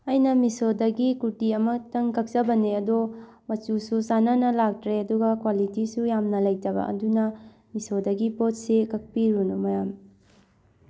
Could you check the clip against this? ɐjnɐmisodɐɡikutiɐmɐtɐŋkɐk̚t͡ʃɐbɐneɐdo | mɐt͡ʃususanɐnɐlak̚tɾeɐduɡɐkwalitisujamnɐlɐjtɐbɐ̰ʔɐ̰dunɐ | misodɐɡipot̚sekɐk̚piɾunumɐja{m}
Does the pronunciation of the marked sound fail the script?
no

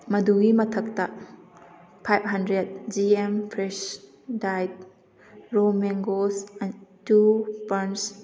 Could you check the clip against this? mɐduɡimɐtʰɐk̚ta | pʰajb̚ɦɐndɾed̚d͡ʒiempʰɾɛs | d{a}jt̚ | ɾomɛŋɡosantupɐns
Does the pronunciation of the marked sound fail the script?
no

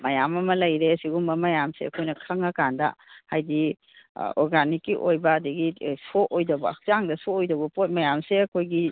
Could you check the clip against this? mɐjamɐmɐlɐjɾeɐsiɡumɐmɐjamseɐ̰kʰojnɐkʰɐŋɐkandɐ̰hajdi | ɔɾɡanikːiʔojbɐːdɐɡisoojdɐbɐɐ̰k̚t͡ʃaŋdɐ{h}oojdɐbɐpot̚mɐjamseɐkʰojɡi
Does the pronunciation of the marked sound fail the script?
yes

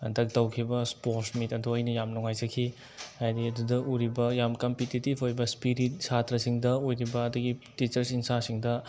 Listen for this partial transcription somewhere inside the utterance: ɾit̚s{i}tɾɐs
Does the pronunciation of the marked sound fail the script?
yes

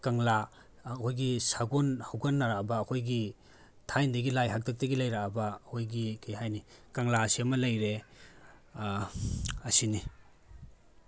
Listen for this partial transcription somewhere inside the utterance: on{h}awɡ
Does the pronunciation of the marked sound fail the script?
no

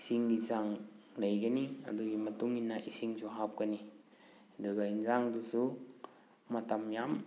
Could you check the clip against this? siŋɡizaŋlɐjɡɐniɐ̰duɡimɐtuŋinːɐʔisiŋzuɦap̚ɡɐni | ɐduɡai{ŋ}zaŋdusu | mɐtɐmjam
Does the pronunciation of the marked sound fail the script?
yes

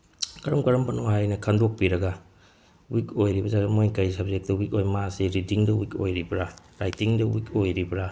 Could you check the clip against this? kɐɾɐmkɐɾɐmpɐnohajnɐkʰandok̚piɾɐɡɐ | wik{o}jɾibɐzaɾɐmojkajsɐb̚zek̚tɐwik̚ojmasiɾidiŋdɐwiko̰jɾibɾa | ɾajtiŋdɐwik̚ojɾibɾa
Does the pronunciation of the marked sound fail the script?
no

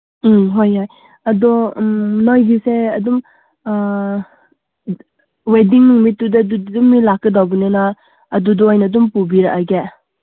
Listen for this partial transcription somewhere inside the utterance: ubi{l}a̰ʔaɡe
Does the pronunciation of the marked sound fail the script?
yes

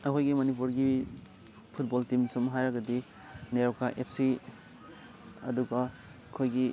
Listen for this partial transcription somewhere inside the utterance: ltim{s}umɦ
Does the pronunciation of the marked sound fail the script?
no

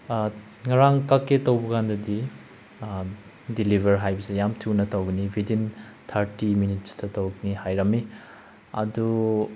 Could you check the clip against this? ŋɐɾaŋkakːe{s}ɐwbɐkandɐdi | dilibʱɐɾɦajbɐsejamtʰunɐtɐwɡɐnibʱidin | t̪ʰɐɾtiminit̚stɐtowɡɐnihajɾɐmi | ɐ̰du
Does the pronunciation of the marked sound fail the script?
yes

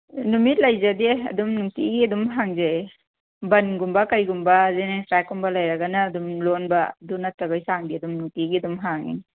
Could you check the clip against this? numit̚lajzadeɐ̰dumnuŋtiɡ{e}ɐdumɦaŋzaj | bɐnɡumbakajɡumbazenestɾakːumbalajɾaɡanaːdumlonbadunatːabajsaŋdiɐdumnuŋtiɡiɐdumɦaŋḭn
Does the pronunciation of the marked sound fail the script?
yes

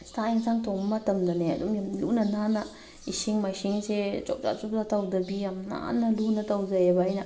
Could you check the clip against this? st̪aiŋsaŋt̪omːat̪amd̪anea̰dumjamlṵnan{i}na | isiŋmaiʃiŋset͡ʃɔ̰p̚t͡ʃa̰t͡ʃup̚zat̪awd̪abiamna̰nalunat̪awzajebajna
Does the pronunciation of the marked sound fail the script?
yes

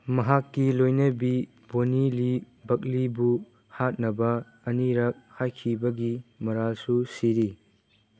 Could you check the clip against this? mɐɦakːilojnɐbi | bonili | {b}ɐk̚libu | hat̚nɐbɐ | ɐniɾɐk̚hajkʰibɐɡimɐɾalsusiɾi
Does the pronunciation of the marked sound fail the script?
no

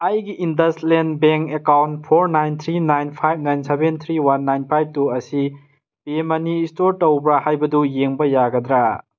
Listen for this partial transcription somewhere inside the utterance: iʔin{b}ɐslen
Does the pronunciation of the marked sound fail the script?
yes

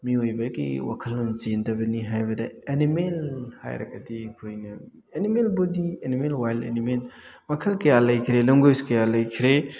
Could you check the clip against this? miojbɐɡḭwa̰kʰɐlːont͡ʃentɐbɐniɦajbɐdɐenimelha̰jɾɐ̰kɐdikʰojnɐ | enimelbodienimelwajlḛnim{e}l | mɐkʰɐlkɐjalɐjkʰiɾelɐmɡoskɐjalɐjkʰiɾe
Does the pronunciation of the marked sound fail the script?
no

